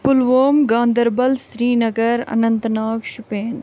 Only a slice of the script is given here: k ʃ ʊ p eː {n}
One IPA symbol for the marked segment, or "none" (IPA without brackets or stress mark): n